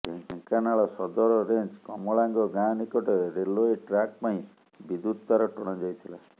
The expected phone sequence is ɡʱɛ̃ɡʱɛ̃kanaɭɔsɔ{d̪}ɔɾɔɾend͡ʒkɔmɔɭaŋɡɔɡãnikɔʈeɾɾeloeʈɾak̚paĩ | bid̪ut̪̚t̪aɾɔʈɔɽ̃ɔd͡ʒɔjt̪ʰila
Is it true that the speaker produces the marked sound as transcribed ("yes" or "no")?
yes